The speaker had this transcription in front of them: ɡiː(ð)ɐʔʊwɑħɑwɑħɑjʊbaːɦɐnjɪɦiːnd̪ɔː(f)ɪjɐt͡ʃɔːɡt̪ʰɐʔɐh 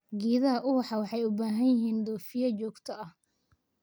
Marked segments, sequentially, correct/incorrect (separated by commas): correct, correct